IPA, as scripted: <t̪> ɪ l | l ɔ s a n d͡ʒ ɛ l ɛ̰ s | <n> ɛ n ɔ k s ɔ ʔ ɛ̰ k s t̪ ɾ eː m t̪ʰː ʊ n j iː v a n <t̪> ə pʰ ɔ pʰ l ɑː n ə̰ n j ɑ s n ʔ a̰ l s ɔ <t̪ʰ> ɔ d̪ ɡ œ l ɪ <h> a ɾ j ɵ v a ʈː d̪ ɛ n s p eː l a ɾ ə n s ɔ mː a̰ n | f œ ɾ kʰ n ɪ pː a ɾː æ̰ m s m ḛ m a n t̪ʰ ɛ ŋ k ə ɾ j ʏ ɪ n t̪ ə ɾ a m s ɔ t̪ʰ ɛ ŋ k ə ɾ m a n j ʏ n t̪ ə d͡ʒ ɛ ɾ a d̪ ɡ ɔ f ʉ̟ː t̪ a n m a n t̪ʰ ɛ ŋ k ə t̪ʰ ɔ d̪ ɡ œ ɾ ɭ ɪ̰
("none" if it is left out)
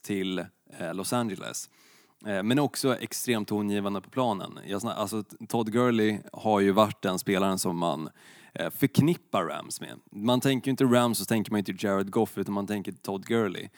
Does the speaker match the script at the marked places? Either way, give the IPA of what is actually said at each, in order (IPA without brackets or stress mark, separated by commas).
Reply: t̪ʰ, m, d̪, t̪ʰ, h